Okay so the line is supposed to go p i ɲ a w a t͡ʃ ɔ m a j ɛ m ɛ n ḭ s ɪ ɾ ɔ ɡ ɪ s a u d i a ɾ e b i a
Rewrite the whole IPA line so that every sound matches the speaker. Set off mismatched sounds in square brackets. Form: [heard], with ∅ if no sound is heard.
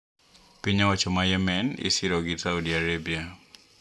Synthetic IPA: p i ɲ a w a t͡ʃ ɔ m a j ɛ m ɛ n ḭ s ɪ ɾ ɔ ɡ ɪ s a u d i a ɾ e b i a